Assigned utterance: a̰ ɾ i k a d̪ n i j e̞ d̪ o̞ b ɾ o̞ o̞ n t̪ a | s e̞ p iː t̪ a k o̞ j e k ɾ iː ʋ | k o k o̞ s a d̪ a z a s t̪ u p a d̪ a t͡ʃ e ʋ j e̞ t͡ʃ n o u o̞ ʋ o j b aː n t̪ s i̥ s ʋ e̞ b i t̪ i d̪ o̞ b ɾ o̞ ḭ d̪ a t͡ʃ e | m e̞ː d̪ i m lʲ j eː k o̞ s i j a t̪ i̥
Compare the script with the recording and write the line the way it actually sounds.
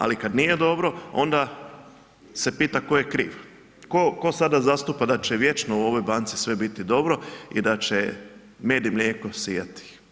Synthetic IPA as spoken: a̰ l i k a d̪ n i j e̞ d̪ o̞ b ɾ o̞ o̞ n d̪ a | s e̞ p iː t̪ a k o̞ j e k ɾ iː ʋ | k o k o̞ s a d̪ a z a s t̪ u p a d̪ a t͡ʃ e ʋ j e̞ t͡ʃ n o u o̞ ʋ o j b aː n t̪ s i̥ s ʋ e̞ b i t̪ i d̪ o̞ b ɾ o̞ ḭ d̪ a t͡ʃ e | m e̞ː d̪ i m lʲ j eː k o̞ s i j a t̪ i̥